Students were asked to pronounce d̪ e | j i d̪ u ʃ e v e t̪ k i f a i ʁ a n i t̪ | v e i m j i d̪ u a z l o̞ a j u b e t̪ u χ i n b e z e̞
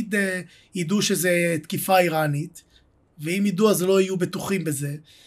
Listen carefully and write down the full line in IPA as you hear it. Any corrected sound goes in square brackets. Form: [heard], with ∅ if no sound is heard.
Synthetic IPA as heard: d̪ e | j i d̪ u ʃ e [z] e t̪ k i f a i ʁ a n i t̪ | v e i m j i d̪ u a z l o̞ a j u b e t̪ u χ i [m] b e z e̞